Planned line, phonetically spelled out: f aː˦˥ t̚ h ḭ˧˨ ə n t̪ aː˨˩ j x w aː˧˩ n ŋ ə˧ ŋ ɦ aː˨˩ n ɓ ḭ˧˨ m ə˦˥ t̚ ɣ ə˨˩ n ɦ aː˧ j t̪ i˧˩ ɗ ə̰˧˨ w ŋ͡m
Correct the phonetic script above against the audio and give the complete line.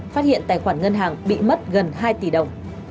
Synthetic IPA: f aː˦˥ t̚ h ḭ˧˨ ə n t̪ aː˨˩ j x w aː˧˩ n ŋ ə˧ n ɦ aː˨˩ ŋ ɓ ḭ˧˨ m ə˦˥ t̚ ɣ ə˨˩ n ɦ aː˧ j t̪ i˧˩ ɗ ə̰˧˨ w ŋ͡m